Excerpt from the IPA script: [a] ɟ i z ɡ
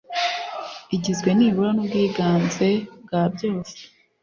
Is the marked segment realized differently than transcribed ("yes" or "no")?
yes